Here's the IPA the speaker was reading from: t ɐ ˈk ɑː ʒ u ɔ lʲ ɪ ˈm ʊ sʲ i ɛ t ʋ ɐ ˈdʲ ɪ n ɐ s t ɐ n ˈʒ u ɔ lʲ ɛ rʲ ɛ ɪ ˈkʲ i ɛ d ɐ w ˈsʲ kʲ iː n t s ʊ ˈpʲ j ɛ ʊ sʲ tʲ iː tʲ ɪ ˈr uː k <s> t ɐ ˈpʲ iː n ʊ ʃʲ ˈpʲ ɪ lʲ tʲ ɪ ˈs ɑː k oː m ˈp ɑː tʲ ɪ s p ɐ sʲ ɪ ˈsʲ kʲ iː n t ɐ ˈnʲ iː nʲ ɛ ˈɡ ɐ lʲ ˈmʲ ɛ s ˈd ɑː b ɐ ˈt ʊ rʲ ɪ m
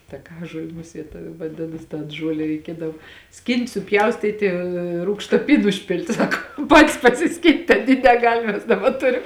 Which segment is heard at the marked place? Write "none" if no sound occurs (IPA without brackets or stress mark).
ʃ